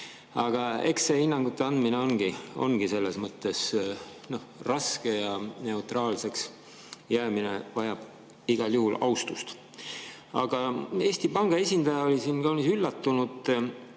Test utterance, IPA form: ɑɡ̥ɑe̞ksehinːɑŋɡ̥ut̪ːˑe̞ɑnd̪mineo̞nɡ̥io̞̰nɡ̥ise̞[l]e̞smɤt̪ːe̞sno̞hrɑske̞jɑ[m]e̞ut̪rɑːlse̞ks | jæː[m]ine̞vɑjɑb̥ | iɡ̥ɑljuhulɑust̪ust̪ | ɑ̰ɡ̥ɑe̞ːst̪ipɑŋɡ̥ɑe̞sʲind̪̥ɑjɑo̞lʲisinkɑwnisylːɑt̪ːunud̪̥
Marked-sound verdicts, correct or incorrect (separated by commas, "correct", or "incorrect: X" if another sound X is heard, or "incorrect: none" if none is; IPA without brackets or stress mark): incorrect: lː, incorrect: n, correct